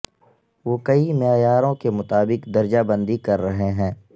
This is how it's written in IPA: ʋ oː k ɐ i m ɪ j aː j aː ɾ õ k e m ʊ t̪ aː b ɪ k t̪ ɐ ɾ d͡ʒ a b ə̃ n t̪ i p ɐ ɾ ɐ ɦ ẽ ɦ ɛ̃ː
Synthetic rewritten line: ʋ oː k ɐ i m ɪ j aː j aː ɾ õ k e m ʊ t̪ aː b ɪ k d̪ ɐ ɾ d͡ʒ a b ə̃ n d̪ i k ɐ ɾː ɐ ɦ e ɦ ɛ̃ː

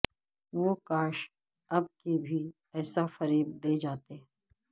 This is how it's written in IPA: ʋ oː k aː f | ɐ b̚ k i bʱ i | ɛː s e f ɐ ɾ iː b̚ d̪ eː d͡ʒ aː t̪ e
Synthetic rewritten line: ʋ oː k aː ʃ | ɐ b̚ k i bʱ i | ɛː s a f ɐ ɾ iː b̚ d̪ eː d͡ʒ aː t̪ e

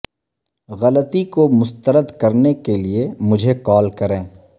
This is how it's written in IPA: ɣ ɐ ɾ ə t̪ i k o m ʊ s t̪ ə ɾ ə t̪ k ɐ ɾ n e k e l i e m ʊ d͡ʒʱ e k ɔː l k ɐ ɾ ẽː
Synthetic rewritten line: ɣ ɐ l ə t̪ i k o m ʊ s t̪ ə ɾ ə d̪ k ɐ ɾ n e k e l i e m ʊ d͡ʒʱ e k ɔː l k ɐ ɾ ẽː

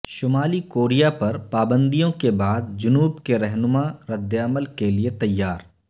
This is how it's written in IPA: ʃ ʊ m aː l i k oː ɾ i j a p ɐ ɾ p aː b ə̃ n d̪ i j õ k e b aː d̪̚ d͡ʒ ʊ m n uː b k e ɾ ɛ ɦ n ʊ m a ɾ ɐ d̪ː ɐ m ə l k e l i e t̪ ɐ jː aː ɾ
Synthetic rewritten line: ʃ ʊ m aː l i k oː ɾ i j a p ɐ ɾ p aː b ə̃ n d̪ i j õ k e b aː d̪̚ d͡ʒ ʊ n uː b k e ɾ ɛ ɦ n ʊ m a ɾ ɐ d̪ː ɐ m ə l k e l i e t̪ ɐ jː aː ɾ

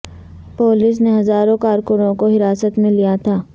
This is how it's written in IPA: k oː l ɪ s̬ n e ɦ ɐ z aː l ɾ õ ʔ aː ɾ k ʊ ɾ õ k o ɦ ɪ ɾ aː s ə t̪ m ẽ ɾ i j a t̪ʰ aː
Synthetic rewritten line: p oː l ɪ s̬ n e ɦ ɐ z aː ɾ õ k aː ɾ k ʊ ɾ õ k o ɦ ɪ ɾ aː s ə t̪ m ẽ l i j a t̪ʰ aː

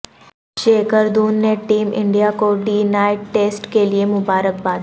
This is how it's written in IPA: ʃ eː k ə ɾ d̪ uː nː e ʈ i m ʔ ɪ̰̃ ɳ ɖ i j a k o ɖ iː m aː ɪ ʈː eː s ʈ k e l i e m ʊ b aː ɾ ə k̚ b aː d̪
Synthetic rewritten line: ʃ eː k ə ɾ d̪ uː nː e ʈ iː m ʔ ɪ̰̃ ɳ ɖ i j a k o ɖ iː n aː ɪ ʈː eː s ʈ k e l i e m ʊ b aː ɾ ə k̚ b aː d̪

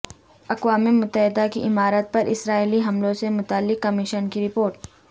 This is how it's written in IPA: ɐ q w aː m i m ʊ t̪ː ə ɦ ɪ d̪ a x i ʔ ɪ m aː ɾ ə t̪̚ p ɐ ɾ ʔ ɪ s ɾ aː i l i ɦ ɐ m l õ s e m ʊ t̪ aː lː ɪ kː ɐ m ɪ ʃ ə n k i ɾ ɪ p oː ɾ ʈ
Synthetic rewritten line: ɐ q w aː m e m ʊ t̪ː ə ɦ ɪ d̪ a k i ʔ ɪ m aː ɾ ə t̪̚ p ɐ ɾ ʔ ɪ s ɾ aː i l i ɦ ɐ m l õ s e m ʊ t̪ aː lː ɪ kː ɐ m ɪ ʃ ə n k i ɾ ɪ p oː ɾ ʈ

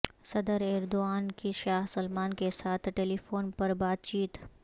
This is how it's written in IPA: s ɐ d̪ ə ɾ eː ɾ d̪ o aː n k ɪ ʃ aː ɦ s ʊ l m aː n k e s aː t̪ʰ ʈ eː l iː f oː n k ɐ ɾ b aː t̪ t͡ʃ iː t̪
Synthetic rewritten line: s ɐ d̪ ə ɾ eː ɾ d̪ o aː n k i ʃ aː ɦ s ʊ l m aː n k e s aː t̪ʰ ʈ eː l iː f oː n p ɐ ɾ b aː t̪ t͡ʃ iː t̪

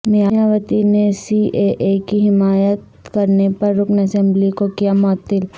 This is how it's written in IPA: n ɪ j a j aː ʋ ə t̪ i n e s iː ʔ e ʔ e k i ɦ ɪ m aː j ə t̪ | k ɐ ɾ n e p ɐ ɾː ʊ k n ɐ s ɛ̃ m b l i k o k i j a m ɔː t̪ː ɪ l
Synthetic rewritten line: n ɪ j a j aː ʋ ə t̪ i n e s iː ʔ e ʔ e k i ɦ ɪ m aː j ə t̪ | k ɐ ɾ n e p ɐ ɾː ʊ k n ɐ s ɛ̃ m b l i k o k i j a m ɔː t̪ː ɪ l

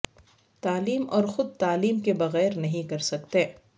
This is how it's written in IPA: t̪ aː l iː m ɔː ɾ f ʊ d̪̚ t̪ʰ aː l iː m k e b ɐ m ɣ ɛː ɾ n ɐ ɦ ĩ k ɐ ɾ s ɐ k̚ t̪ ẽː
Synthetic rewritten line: t̪ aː l iː m ɔː ɾ x ʊ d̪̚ t̪ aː l iː m k e b ɐ ɣ ɛː ɾ n ɐ ɦ ĩ k ɐ ɾ s ɐ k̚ t̪ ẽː

